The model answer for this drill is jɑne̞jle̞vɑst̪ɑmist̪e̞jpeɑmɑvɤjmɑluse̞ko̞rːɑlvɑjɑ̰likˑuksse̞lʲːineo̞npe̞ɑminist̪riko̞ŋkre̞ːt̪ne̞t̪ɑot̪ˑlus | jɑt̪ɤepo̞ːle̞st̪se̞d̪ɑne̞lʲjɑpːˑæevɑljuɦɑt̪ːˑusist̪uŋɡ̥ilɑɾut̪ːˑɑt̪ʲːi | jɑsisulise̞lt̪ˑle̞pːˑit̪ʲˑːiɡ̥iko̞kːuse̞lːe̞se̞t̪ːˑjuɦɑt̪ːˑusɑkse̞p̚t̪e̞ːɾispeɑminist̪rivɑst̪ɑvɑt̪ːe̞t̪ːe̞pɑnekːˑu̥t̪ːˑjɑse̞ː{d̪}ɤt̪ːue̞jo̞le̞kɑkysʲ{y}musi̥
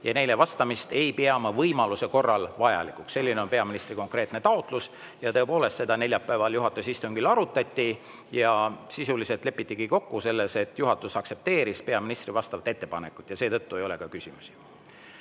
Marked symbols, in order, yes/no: no, no

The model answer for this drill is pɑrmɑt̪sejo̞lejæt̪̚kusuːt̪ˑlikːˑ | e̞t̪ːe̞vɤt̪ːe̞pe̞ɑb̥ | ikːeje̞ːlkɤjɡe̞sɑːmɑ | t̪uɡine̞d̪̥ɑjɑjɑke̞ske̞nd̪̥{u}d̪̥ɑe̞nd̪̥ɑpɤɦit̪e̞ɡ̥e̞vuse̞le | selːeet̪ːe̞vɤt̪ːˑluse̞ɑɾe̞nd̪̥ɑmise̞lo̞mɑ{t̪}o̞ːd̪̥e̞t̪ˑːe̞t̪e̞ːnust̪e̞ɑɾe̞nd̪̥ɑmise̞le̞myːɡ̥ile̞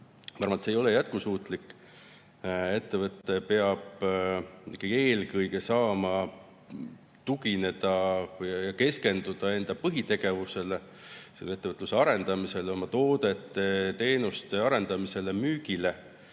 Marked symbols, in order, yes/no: yes, yes

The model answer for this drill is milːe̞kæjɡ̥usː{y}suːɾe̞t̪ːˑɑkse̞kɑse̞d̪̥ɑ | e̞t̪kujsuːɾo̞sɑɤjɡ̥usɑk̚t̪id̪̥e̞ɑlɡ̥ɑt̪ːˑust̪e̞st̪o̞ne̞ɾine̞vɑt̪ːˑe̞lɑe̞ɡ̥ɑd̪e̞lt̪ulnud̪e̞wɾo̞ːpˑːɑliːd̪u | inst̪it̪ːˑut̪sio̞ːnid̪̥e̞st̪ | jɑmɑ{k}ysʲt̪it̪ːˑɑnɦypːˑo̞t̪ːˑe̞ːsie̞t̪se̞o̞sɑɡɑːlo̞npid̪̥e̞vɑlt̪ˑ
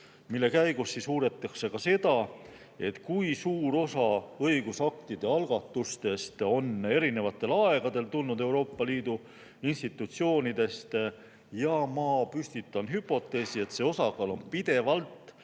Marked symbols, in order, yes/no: no, no

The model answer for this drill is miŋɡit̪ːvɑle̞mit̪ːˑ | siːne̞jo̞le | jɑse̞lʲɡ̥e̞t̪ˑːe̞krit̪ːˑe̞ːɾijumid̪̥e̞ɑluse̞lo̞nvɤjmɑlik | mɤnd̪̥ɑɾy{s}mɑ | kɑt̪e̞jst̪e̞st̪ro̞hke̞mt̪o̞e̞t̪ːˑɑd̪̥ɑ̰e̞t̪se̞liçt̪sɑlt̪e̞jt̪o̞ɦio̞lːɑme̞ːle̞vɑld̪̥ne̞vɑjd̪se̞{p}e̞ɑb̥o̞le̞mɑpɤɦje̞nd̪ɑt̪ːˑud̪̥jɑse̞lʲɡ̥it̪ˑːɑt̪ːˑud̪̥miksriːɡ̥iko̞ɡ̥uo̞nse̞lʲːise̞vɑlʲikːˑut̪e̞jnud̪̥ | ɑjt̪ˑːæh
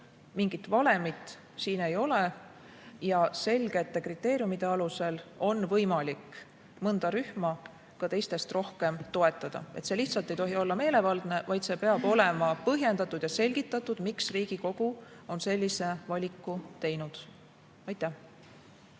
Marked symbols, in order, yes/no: no, yes

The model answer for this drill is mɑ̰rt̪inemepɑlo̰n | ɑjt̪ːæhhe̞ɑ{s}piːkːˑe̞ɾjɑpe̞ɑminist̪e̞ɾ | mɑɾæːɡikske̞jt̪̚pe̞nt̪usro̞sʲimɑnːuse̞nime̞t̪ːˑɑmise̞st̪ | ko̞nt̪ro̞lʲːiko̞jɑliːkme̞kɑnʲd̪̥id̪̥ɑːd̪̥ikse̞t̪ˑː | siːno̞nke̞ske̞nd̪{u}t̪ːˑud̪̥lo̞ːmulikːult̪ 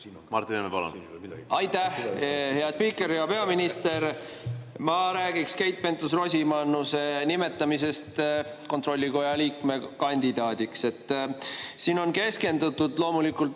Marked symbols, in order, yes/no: yes, yes

